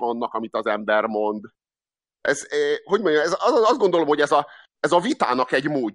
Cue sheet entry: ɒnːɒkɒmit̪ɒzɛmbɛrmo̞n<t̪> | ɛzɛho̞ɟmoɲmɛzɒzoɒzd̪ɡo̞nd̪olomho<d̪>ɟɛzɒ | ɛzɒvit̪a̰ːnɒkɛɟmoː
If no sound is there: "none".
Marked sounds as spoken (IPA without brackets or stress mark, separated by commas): d̪, none